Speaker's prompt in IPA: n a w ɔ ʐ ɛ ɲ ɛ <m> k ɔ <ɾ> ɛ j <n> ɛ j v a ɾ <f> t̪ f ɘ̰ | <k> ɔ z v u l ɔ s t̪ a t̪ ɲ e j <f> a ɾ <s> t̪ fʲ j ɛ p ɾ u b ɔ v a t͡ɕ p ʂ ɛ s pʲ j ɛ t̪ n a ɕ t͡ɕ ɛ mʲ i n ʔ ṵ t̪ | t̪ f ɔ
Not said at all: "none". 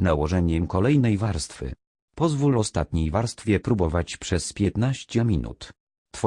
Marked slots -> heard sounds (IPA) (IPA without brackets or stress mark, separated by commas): m, l, n, s, p, v, s